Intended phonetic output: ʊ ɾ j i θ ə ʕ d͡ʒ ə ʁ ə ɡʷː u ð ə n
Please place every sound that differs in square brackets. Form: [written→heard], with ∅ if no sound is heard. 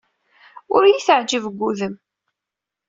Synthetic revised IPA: ʊ ɾ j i θ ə ʕ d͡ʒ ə [ʁ→v] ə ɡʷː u ð ə [n→m]